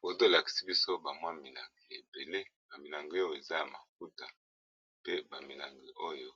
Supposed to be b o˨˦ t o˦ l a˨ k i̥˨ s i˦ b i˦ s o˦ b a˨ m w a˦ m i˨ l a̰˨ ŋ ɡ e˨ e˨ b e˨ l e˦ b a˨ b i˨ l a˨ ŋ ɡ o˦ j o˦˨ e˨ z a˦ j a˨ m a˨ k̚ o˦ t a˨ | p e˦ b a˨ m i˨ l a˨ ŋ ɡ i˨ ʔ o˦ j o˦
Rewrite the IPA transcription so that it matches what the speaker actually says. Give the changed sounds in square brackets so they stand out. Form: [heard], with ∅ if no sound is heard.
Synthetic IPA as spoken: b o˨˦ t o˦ l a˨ k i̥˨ s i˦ b i˦ s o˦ b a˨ m w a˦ m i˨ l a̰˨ ŋ ɡ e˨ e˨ b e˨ l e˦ b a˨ [m] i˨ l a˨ ŋ ɡ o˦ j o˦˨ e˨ z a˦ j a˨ m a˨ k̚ [u˦] t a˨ | p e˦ b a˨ m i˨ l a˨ ŋ ɡ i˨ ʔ o˦ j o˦